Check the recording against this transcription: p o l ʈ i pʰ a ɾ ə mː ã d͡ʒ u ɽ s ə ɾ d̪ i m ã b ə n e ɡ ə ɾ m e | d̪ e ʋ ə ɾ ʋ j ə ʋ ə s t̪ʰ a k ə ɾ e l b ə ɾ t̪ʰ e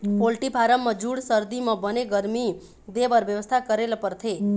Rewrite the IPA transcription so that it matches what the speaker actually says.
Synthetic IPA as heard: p o l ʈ i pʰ a ɾ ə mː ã d͡ʒ u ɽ s ə ɾ d̪ i m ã b ə n e ɡ ə ɾ m i | d̪ e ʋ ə ɾ ʋ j ə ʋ ə s t̪ʰ a k ə ɾ e l p ə ɾ t̪ʰ e